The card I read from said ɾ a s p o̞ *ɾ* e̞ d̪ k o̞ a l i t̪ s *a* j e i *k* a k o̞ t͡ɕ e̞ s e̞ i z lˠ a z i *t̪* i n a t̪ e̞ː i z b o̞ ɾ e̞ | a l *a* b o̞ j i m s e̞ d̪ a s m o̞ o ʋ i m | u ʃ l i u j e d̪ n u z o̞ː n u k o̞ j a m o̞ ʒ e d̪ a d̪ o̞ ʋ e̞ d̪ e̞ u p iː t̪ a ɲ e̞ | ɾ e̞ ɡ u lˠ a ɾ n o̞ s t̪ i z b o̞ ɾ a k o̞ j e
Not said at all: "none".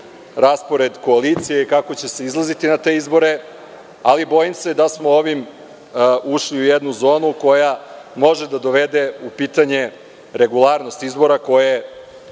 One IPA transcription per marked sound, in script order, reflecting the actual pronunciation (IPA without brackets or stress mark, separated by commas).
ɾ, i, k, t̪, i